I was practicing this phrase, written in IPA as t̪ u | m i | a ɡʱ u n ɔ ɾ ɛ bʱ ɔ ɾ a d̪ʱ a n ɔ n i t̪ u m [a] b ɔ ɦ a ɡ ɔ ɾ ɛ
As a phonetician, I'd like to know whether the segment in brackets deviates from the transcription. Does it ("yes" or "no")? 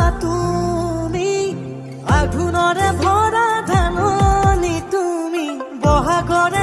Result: yes